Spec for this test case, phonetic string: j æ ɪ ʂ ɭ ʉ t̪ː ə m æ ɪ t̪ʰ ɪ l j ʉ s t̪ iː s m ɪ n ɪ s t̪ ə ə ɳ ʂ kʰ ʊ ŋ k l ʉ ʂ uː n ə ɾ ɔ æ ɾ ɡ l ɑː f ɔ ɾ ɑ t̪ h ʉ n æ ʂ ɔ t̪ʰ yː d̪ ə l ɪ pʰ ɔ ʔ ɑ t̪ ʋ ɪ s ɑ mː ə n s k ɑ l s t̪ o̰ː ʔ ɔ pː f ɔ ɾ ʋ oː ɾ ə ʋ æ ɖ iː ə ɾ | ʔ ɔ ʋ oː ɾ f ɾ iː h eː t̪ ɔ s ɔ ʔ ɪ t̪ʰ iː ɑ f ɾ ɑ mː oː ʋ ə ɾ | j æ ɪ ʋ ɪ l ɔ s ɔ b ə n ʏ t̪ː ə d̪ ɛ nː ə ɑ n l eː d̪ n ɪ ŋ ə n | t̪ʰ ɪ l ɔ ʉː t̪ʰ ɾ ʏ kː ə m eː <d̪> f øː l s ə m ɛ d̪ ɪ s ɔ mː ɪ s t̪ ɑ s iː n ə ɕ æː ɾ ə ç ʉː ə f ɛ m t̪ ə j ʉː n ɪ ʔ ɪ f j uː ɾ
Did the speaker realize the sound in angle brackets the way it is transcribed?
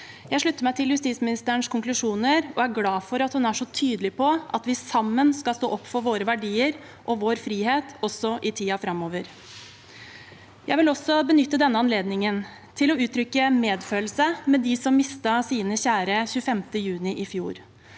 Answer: yes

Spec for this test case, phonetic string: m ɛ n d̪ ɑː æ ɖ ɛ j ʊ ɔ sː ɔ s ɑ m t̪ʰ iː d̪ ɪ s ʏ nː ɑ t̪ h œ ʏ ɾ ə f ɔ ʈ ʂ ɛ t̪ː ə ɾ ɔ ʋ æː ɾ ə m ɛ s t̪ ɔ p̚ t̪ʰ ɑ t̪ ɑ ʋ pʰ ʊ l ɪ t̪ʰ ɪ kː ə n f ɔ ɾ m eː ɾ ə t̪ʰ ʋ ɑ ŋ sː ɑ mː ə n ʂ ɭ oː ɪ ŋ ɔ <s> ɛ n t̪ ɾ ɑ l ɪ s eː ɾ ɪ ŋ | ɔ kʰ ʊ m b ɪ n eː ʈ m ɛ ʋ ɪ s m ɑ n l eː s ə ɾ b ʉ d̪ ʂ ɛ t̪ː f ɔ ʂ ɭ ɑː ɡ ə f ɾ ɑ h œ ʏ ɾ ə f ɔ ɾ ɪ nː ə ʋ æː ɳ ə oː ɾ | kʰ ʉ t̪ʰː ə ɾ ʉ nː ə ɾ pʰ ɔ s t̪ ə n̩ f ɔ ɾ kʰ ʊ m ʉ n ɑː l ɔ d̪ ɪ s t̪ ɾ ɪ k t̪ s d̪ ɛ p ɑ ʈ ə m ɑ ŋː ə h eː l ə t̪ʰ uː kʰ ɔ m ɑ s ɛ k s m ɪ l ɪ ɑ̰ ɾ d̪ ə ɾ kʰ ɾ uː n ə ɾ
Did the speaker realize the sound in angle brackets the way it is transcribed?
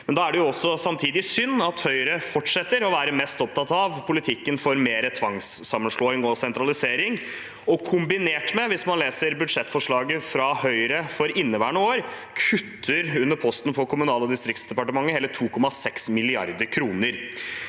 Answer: yes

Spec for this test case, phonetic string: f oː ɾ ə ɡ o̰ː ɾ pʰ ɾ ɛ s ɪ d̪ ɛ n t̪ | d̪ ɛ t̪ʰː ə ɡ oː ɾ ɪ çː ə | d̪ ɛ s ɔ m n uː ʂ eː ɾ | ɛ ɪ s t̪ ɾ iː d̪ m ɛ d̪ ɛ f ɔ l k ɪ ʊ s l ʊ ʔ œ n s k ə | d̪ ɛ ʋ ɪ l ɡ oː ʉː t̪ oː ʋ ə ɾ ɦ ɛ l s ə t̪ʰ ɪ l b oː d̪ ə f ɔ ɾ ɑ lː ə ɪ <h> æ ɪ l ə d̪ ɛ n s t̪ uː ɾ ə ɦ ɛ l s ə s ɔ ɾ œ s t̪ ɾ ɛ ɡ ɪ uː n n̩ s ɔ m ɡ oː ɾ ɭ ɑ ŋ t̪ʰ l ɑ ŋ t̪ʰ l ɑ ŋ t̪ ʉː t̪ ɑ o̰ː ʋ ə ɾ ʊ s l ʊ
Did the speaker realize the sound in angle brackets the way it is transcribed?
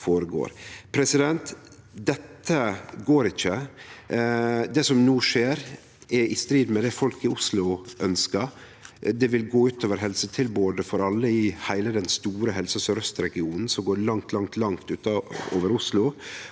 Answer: yes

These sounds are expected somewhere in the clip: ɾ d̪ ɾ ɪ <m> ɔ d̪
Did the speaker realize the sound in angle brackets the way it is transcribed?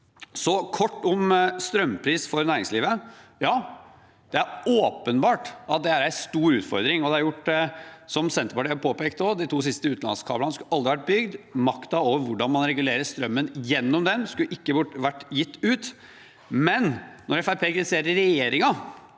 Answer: no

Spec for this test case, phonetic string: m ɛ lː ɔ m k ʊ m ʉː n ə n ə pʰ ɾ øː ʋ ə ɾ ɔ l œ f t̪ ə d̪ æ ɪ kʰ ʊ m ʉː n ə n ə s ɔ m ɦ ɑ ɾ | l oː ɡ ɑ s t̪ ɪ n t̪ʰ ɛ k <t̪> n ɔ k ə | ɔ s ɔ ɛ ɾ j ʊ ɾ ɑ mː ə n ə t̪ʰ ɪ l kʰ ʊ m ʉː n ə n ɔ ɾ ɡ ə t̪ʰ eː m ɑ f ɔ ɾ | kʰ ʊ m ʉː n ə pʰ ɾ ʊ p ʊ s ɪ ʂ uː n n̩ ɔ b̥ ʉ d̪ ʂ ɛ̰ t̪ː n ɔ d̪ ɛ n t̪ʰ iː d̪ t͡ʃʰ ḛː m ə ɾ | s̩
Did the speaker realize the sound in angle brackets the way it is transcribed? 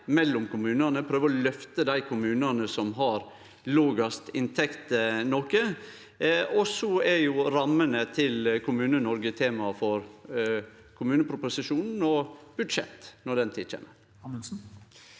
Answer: yes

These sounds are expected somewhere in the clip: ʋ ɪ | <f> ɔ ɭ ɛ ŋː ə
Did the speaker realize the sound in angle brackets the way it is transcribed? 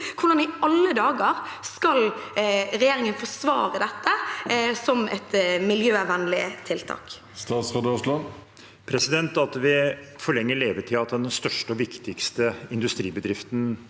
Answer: yes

